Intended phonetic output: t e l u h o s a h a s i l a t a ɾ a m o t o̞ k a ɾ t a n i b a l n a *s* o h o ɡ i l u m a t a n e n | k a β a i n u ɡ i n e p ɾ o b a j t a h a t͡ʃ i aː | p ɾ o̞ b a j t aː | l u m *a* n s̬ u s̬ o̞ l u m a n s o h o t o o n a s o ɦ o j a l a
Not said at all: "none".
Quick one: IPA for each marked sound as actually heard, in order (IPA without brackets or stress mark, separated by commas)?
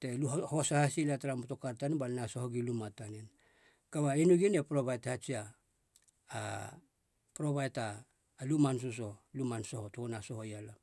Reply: s, a